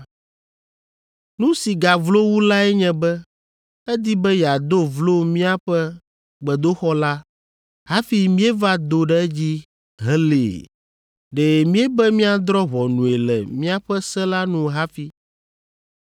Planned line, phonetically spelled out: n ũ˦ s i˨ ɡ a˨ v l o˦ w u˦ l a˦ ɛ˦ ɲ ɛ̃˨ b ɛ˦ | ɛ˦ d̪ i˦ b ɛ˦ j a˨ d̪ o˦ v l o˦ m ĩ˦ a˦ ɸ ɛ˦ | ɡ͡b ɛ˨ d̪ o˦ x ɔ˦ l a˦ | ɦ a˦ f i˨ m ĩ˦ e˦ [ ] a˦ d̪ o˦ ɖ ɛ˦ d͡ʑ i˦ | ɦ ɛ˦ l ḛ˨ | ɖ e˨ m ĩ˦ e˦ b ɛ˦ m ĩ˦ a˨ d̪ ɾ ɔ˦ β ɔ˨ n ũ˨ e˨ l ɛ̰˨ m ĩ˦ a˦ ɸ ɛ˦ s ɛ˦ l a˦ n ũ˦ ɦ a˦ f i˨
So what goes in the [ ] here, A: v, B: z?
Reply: A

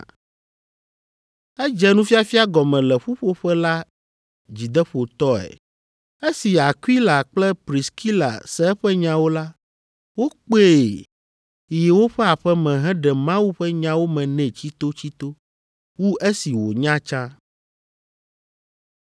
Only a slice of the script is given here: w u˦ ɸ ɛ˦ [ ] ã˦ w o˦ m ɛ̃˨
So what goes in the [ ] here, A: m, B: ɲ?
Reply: B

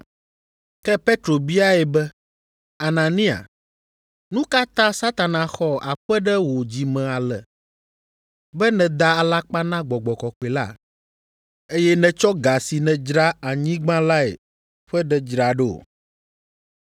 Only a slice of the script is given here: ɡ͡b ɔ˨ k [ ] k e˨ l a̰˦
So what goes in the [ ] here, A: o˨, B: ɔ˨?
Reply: B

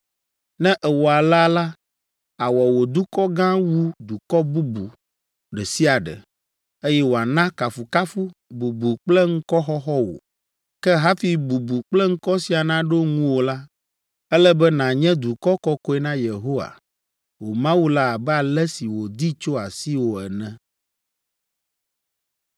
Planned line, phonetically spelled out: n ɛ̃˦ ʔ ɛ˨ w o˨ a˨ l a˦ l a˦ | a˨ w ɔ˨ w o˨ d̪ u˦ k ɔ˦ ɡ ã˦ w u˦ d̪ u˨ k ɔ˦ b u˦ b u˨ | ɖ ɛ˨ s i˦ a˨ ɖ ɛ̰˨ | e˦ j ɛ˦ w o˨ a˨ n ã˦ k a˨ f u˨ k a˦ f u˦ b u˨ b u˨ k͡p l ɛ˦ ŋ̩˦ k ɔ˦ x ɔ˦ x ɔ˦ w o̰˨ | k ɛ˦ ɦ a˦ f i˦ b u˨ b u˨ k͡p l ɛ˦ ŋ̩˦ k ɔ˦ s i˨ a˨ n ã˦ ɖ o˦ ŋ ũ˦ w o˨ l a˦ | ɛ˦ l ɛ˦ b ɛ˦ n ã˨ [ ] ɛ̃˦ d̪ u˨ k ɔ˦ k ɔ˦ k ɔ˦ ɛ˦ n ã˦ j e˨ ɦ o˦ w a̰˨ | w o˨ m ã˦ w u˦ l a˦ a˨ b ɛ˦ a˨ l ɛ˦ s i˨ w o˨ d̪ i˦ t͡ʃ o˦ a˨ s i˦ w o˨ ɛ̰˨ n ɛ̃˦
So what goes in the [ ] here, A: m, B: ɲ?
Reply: B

